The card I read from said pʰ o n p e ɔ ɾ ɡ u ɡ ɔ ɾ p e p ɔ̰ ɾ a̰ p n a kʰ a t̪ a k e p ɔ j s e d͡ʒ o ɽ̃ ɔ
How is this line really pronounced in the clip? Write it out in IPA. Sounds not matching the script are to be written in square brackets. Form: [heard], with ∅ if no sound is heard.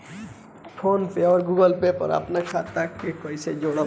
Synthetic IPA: pʰ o n p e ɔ ɾ ɡ u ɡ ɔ [l] p e p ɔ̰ ɾ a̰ p n a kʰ a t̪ a k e [k] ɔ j s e d͡ʒ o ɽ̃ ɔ